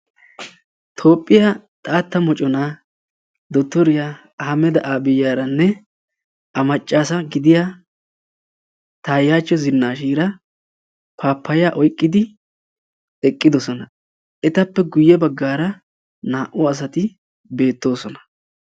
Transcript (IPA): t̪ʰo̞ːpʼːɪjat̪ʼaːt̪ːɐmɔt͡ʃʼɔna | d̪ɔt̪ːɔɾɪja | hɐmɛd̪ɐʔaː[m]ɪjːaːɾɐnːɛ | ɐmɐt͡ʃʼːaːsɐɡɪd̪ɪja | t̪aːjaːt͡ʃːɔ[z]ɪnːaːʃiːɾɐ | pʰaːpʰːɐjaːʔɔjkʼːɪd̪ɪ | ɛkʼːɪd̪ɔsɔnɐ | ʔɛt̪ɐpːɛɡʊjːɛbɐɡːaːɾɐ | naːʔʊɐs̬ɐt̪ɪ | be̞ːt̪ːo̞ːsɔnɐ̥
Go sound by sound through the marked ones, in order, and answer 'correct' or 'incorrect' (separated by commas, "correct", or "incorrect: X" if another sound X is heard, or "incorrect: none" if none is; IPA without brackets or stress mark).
incorrect: b, correct